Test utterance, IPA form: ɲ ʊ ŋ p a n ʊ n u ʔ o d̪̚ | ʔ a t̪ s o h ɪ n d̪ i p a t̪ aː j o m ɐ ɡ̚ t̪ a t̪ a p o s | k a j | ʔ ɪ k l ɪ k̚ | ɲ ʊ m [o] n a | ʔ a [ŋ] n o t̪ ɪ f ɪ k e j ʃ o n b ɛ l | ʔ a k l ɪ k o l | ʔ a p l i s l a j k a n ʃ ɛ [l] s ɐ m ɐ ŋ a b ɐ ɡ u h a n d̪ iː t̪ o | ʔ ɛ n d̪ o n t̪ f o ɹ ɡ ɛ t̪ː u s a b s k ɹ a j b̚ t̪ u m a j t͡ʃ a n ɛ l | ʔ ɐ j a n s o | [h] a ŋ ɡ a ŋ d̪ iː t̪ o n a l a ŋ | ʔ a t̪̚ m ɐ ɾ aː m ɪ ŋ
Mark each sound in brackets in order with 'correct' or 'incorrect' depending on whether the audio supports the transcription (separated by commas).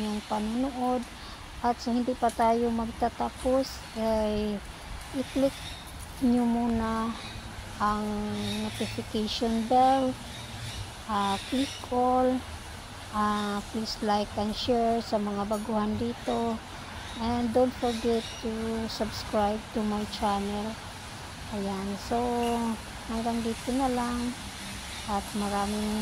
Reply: incorrect, correct, incorrect, correct